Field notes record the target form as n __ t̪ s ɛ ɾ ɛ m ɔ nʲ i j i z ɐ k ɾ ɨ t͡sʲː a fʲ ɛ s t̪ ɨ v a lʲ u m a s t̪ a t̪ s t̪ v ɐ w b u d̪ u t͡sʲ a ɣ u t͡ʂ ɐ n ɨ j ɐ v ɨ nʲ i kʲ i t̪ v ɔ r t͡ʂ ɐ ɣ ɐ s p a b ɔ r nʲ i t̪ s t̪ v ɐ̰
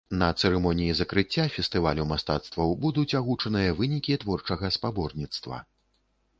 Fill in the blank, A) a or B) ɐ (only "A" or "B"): B